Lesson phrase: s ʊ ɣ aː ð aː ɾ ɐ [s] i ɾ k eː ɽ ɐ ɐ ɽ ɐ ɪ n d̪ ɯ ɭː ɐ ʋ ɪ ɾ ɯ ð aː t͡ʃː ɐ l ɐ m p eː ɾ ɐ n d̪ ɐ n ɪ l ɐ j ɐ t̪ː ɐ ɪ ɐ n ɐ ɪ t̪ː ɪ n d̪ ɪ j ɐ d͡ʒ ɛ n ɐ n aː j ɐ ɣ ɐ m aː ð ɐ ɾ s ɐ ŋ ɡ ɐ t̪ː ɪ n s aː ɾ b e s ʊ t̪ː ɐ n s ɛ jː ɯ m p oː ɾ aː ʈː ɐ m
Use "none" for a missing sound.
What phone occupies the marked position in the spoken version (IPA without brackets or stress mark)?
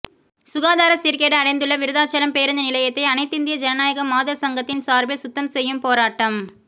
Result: s